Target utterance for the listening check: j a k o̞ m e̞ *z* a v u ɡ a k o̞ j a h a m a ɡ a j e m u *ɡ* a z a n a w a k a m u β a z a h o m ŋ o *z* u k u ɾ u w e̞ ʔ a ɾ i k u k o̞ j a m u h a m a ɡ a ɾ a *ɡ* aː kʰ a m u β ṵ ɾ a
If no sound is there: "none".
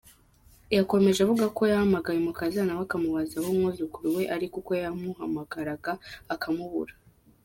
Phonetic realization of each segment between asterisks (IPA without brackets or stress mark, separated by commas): ʒ, k, z, ɡ